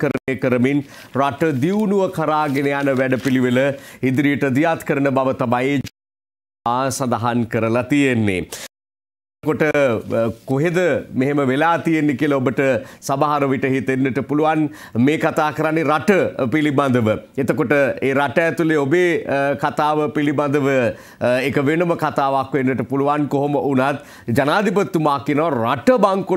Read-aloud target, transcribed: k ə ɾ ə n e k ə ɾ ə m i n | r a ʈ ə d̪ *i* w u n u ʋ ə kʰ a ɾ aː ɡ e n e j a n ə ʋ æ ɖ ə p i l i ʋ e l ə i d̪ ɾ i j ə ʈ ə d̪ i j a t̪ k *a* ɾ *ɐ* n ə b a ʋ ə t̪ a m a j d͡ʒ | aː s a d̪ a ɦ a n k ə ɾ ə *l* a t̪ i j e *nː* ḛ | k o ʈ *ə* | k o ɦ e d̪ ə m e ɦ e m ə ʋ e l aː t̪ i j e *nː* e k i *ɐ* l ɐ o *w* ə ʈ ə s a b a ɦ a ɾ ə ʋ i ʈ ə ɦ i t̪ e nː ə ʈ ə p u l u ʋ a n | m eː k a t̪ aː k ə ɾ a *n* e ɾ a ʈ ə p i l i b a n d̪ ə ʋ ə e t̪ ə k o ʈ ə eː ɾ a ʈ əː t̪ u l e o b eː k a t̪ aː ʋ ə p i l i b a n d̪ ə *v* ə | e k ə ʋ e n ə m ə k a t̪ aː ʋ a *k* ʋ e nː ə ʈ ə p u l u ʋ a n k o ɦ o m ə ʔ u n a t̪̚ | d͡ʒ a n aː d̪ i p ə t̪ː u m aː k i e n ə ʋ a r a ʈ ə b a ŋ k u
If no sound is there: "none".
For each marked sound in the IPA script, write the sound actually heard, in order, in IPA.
i, ə, ə, l, nː, ə, nː, ə, b, nː, ʋ, k

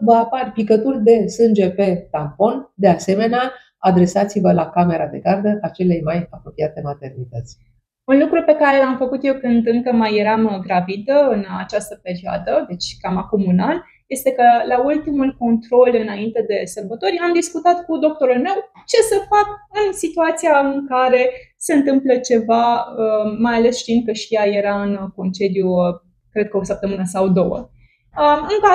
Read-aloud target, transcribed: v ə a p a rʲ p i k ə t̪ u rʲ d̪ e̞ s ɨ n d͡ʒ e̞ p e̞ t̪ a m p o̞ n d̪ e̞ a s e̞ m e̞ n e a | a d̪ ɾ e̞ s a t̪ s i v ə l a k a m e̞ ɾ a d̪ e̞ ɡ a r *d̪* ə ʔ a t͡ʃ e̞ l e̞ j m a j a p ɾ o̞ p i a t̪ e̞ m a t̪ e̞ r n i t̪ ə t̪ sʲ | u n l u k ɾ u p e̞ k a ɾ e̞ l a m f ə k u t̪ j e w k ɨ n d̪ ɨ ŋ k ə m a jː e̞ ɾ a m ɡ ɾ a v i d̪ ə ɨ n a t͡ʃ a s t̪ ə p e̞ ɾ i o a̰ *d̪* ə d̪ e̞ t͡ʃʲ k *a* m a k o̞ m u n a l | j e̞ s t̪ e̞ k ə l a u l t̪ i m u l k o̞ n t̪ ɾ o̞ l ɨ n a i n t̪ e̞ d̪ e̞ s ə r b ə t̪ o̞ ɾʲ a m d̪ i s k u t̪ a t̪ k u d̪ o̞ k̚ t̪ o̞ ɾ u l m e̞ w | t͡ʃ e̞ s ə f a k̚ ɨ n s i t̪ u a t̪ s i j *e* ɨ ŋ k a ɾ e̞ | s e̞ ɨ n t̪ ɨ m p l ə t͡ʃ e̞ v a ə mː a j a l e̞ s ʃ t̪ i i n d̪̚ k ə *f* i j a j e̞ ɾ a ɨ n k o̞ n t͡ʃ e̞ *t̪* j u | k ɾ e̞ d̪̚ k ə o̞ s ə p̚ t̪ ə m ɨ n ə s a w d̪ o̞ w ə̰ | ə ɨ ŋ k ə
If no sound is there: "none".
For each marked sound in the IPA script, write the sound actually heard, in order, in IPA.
d̪, d̪, a, a, ʃ, d̪

